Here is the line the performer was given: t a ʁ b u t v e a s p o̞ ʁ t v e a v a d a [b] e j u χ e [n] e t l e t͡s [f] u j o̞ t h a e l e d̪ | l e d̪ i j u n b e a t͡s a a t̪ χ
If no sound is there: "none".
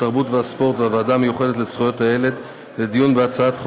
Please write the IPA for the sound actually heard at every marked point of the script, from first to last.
m, d, χ

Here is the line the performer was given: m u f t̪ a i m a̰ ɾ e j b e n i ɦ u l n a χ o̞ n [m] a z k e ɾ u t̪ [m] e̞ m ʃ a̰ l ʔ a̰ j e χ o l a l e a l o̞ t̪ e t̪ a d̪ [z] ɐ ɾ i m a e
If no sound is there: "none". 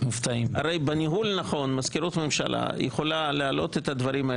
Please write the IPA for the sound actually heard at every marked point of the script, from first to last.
m, m, v

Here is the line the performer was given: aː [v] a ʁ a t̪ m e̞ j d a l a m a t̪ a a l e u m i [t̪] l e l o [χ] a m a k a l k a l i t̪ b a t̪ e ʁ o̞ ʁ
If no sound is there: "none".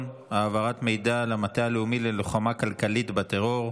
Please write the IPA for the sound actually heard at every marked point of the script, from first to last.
v, none, χ

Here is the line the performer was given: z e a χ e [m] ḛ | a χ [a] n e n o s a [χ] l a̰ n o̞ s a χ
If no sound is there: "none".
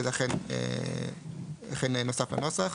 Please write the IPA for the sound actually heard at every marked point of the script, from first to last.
n, e, f

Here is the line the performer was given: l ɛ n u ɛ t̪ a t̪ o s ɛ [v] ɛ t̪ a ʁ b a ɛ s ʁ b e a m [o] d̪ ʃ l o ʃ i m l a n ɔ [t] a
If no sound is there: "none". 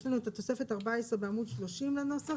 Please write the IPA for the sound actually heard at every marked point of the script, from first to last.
f, u, s

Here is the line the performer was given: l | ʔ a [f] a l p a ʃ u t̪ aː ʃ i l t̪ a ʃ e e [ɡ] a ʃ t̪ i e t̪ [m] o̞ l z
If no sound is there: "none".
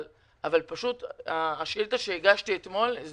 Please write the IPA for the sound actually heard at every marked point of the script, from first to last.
v, ɡ, m

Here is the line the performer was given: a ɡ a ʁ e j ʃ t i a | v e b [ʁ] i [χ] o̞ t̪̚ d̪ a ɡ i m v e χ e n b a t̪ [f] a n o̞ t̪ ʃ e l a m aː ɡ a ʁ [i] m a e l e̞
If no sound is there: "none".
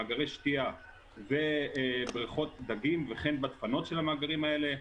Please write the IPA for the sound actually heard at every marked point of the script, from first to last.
ʁ, χ, f, i

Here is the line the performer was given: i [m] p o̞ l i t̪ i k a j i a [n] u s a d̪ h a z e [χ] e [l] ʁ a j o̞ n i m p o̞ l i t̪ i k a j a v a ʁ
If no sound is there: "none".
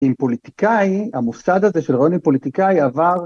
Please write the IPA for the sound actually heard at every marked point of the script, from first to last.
m, m, ʃ, l

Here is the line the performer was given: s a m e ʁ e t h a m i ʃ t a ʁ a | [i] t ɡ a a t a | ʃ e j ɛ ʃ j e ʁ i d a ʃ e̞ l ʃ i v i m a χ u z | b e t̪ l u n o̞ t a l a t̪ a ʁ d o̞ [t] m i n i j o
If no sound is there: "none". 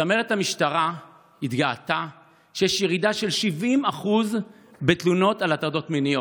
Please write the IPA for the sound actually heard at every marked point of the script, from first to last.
i, t

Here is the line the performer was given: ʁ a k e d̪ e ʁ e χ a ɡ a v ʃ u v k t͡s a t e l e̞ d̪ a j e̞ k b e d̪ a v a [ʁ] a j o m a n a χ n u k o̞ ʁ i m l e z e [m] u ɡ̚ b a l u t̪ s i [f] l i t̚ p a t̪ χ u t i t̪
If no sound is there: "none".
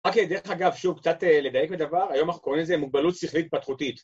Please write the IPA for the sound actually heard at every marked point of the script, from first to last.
ʁ, m, χ

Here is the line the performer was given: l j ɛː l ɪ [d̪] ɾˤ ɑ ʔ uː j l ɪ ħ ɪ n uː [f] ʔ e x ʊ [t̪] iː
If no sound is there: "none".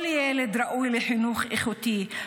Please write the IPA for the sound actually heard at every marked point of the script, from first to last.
d̪, x, t̪

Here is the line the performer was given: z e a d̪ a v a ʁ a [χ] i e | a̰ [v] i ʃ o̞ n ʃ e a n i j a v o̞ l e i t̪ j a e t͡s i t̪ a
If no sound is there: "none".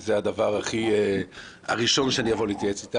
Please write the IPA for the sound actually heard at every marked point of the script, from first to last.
χ, ʁ

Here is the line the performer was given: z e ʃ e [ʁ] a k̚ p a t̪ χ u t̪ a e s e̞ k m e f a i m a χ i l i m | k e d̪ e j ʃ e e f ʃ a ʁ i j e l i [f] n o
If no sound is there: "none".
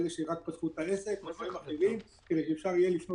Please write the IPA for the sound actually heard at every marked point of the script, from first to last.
ʁ, f

